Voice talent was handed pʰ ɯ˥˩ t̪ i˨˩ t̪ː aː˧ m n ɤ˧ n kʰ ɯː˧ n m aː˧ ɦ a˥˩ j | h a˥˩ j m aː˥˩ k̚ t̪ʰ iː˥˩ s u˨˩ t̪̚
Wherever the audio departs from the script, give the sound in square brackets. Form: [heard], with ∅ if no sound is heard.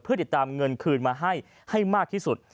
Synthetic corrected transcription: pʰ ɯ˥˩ t̪ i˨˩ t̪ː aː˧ m [ŋ] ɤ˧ n kʰ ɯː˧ n m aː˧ ɦ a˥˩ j | h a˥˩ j m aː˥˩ k̚ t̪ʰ iː˥˩ s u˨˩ t̪̚